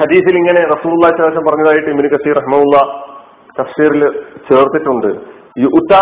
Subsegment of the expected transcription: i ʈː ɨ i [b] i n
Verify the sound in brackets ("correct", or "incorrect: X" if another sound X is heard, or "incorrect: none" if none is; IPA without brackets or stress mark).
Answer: correct